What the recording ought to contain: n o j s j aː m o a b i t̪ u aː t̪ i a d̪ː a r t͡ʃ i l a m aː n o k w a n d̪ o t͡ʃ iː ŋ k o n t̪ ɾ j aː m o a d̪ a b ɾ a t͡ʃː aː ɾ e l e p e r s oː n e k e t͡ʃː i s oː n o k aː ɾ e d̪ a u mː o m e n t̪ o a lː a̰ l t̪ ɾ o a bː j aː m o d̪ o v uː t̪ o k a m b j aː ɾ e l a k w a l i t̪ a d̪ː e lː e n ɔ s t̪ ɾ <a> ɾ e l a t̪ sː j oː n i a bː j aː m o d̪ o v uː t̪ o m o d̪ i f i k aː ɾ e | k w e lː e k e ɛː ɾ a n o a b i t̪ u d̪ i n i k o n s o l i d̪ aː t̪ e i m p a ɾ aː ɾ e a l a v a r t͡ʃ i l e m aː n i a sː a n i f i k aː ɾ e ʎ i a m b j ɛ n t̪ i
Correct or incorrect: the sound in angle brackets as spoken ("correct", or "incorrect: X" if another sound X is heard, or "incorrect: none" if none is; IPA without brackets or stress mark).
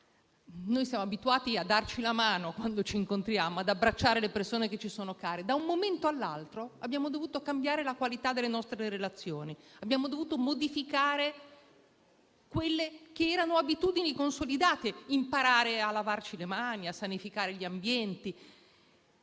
incorrect: e